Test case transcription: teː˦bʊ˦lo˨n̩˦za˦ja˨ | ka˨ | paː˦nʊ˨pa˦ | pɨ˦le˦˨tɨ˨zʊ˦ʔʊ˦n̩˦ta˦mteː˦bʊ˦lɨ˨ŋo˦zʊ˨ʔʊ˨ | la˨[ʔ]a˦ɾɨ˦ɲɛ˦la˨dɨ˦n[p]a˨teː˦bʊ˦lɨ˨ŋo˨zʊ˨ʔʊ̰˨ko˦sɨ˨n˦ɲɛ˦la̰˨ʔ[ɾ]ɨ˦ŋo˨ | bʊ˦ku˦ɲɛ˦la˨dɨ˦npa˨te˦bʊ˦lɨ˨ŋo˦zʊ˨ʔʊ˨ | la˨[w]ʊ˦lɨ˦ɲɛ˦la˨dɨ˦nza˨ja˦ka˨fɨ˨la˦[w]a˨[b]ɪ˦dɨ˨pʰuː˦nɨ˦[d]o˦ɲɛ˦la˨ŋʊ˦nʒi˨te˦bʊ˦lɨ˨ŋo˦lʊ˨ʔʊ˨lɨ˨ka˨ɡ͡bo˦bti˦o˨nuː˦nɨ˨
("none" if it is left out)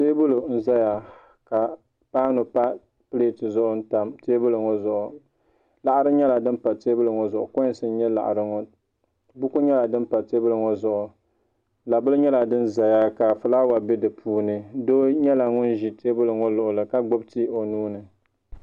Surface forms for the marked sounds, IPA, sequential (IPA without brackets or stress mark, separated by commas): ʔ, p, ɾ, b, w, b, d